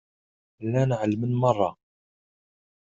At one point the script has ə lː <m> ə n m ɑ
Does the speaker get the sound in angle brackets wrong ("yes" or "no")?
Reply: no